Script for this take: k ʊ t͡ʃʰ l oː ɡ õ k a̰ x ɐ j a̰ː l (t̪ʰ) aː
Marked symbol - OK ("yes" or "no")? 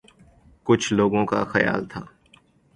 yes